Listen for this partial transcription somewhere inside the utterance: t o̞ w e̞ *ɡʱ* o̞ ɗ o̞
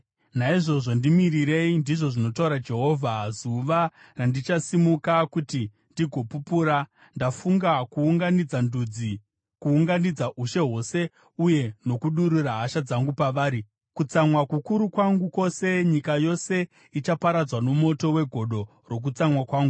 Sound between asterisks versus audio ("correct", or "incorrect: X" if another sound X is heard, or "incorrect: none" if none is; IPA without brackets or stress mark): correct